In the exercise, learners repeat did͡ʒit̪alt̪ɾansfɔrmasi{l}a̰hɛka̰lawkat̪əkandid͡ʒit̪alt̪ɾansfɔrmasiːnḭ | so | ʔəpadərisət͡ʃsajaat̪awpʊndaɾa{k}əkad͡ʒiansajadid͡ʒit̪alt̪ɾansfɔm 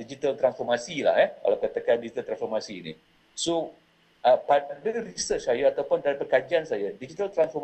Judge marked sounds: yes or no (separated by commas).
yes, no